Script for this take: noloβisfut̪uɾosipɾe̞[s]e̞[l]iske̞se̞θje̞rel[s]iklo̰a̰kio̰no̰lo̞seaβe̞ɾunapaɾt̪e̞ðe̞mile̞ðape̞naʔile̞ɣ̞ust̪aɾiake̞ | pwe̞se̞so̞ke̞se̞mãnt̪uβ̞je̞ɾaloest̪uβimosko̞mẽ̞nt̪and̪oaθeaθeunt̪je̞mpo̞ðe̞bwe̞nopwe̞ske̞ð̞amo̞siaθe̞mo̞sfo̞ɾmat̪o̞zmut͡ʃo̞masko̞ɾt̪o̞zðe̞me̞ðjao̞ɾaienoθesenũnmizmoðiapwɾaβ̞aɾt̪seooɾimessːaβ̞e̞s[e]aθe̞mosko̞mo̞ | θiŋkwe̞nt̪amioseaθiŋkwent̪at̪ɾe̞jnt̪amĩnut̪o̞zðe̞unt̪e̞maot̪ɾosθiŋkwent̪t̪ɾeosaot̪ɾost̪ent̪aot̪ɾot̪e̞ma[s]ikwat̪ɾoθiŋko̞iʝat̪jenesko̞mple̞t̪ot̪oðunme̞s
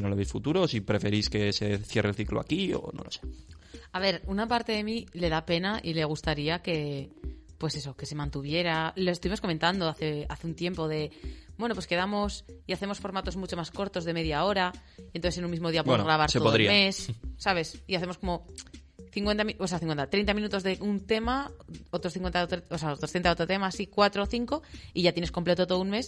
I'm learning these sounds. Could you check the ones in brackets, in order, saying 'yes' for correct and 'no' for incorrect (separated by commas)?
no, no, no, no, yes